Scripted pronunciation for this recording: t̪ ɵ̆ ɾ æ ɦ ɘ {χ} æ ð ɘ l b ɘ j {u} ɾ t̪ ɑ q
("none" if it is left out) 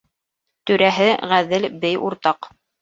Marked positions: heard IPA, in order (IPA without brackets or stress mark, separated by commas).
ʁ, u